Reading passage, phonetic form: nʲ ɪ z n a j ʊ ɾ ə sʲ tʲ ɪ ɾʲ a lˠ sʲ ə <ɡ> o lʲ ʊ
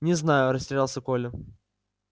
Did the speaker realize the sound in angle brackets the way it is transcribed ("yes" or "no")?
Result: no